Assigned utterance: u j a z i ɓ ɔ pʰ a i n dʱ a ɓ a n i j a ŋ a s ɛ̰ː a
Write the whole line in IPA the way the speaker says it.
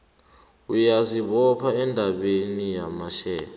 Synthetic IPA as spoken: u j a z i ɓ ɔ pʰ a ɛ n dʱ a ɓ e n i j a m a ʃ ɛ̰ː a